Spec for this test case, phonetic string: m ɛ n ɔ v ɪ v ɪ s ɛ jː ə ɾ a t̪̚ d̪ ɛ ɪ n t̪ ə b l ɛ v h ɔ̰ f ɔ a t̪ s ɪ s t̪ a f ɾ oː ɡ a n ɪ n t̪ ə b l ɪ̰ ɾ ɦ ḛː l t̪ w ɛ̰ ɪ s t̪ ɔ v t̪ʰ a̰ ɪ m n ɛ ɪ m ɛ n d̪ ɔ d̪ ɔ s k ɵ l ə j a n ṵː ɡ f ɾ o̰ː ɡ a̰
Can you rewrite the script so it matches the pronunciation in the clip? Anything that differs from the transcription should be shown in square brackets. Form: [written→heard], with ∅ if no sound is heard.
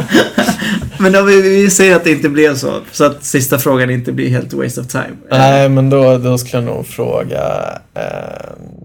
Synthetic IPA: m ɛ n ɔ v ɪ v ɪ s ɛ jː ə ɾ a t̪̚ d̪ ɛ ɪ n t̪ ə b l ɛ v [h→s] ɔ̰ [f→s] ɔ a t̪ s ɪ s t̪ a f ɾ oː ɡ a n ɪ n t̪ ə b l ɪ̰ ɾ ɦ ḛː l t̪ w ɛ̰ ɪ s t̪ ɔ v t̪ʰ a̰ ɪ m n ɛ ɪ m ɛ n d̪ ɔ d̪ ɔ s k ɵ l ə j a n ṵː ɡ f ɾ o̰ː ɡ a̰